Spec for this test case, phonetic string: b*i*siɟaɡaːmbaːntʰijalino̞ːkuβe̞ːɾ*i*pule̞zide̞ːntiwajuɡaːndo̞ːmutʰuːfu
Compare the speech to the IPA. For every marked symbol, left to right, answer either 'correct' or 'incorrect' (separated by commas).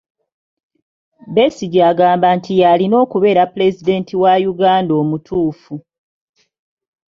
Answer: incorrect, incorrect